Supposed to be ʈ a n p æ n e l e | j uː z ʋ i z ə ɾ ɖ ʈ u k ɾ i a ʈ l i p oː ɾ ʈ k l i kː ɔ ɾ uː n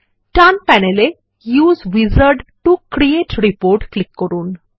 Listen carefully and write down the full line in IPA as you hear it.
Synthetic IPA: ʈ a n p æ n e l e | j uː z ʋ i z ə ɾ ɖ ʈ u k ɾ i e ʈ ɾ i p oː ɾ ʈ k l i kː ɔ ɾ uː n

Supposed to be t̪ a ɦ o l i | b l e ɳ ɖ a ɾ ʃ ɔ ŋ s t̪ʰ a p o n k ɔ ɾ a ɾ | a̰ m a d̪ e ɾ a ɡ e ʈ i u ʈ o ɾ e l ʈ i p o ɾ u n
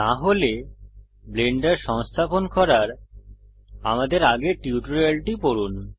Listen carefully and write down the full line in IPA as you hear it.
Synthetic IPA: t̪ a ɦ o l e | b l e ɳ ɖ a ɾ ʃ ɔ ŋ s t̪ʰ a p o n k ɔ ɾ a ɾ | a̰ m a d̪ e ɾ a ɡ e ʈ i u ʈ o ɾ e l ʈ i p o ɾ u n

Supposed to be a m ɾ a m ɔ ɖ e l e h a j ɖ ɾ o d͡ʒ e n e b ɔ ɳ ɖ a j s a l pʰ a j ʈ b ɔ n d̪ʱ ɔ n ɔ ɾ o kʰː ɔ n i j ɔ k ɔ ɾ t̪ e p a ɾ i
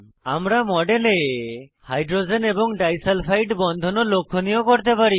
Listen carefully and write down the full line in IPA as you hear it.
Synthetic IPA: a m ɾ a m ɔ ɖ e l e h a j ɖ ɾ o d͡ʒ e n e b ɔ ŋ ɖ a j s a l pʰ a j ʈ b ɔ n d̪ʱ ɔ n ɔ l o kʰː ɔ n i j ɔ k ɔ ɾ t̪ e p a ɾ i

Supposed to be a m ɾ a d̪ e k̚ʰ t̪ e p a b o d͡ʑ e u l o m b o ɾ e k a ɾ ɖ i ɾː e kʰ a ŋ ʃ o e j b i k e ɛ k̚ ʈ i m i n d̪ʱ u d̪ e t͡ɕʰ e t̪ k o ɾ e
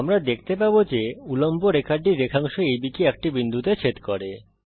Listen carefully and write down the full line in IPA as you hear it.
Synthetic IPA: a m ɾ a d̪ e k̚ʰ t̪ e p a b o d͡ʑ e u l o m b o ɾ e k a ɾ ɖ i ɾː e kʰ a ŋ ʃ o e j b i k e ɛ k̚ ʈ i b i n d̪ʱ u t̪ e t͡ɕʰ e t̪ k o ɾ e

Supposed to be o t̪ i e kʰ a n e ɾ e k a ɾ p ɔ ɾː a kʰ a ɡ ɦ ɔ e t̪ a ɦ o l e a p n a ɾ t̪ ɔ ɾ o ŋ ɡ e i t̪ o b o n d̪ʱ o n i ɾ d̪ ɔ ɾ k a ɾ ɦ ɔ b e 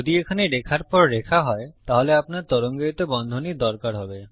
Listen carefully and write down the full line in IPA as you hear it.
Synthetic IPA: o d̪ i e kʰ a n e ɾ e kʰ a ɾ p ɔ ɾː e kʰ a ɦ ɔ e t̪ a ɦ o l e a p n a ɾ t̪ ɔ ɾ o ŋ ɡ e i t̪ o b ɔ n d̪ʱ o n i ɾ d̪ ɔ ɾ k a ɾ ɦ ɔ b e

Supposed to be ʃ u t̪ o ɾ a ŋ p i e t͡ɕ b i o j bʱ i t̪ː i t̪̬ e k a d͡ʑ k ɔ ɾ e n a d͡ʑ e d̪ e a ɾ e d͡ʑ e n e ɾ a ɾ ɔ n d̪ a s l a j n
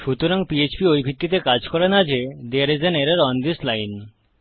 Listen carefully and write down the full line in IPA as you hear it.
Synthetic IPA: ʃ u t̪ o ɾ a ŋ p i e t͡ɕ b i o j bʱ i t̪ː i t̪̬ e k a d͡ʑ k ɔ ɾ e n a d͡ʑ e d̪ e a ɾ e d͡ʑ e n e ɾ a ɾ ɔ n d̪ i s l a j n

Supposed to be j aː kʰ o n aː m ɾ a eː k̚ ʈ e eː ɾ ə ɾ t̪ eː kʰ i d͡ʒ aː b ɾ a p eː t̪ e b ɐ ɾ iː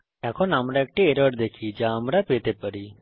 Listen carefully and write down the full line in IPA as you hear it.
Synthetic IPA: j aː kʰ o n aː m ɾ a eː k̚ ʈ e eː ɾ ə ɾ d̪ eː kʰ i d͡ʒ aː m ɾ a p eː t̪ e p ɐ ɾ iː

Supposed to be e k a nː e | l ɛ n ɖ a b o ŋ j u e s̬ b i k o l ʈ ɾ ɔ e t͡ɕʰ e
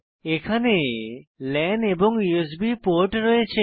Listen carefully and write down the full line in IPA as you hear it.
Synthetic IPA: e kʰ a n e | l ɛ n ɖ e b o ŋ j u e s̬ b i p o ɾ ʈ ɾ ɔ e t͡ɕʰ e

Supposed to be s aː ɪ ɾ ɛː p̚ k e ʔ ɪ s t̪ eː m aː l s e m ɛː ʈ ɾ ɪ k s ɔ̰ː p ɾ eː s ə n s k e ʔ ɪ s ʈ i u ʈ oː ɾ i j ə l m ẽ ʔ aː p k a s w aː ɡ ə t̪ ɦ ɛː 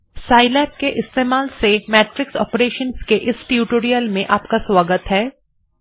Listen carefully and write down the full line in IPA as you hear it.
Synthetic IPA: s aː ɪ l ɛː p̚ k e ʔ ɪ s t̪ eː m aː l s e m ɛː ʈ ɾ ɪ k s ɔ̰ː p ɾ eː ʃ ə n s k e ʔ ɪ s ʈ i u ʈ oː ɾ i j ə l m ẽ ʔ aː p k a s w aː ɡ ə t̪ ɦ ɛː

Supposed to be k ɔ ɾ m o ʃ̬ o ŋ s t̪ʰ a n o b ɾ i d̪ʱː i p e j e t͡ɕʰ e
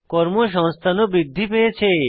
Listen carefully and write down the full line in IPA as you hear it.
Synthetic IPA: k ɔ ɾ m o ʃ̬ ɔ ŋ s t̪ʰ a n o b ɾ i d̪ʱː i p e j e t͡ɕʰ e

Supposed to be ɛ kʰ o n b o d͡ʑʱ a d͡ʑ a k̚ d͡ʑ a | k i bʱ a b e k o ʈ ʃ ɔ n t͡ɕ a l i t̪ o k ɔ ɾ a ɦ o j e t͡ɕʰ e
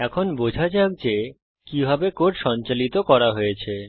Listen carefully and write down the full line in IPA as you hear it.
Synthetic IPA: ɛ kʰ o n b o d͡ʑʱ a d͡ʑ a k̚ d͡ʑ e | k i bʱ a b e k o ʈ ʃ ɔ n t͡ɕ a l i t̪ o k ɔ ɾ a ɦ o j e t͡ɕʰ e

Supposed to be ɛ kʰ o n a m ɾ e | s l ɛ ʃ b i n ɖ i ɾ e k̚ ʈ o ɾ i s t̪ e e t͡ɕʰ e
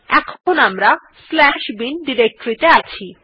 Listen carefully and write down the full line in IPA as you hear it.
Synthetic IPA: ɛ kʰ o n a m ɾ a | s l ɛ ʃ b i n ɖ i ɾ e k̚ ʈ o ɾ i t̪ e a t͡ɕʰ i

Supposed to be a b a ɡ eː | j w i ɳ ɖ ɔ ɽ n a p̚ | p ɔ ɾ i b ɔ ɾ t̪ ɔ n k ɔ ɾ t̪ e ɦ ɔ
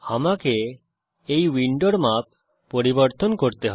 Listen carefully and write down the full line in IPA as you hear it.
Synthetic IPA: a m a k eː | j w i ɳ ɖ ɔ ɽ m a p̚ | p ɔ ɾ i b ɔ ɾ t̪ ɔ n k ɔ ɾ t̪ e ɦ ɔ

